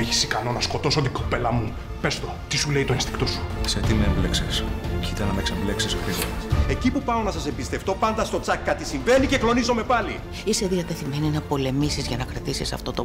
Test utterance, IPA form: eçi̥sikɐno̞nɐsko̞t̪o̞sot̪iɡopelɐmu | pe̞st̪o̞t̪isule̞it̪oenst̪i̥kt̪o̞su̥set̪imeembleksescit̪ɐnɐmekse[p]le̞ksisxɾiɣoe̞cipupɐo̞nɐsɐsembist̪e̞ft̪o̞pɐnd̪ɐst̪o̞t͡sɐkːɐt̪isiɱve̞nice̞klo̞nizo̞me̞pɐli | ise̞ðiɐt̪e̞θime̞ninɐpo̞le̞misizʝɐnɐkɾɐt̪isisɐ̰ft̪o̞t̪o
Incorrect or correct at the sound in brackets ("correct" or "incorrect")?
incorrect